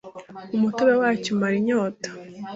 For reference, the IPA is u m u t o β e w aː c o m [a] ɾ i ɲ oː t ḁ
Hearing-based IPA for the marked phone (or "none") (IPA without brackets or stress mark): a